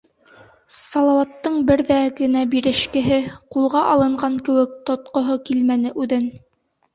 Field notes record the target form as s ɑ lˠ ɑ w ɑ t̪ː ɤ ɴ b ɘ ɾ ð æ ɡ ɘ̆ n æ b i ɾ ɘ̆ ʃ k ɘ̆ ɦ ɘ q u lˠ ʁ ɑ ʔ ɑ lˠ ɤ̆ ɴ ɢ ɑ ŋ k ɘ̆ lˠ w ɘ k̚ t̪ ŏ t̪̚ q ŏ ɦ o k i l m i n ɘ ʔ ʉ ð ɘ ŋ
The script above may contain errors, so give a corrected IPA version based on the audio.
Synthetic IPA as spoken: s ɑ lˠ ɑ w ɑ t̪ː ɤ ɴ b ɘ ɾ ð æ ɡ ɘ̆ n æ b i ɾ ɘ̆ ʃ k ɘ̆ ɦ ɘ q u lˠ ʁ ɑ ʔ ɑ lˠ ɤ̆ ɴ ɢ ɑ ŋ k ɘ̆ w ɘ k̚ t̪ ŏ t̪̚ q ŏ ɦ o k i l m æ n ɘ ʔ ʉ ð ɘ n